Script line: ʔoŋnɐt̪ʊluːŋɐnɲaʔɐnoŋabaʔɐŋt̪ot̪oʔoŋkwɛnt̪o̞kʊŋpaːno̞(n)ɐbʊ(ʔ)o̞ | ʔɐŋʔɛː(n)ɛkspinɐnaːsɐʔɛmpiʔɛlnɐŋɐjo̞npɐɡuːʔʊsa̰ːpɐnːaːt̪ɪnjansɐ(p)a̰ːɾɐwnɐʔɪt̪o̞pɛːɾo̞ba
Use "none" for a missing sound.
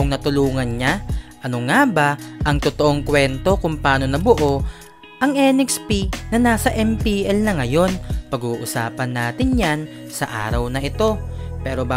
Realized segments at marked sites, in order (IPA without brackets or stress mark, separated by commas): n, ʔ, n, ʔ